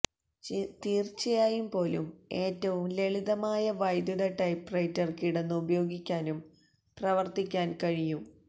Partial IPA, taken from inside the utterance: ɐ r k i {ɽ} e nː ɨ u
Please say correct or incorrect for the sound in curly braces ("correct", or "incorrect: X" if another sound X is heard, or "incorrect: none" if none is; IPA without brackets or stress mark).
correct